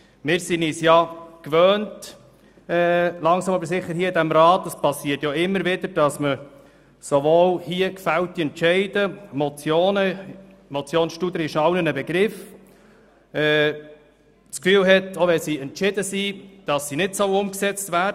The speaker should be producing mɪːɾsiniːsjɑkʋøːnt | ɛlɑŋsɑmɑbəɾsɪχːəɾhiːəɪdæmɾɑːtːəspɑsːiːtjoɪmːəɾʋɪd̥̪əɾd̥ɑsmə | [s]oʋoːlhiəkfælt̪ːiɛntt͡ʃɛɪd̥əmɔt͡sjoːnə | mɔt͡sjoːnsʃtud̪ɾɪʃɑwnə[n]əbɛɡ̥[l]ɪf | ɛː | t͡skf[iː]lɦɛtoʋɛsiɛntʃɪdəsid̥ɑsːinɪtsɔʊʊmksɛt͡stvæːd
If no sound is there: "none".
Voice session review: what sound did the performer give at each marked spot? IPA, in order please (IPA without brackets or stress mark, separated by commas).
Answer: s, n, ɾ, yː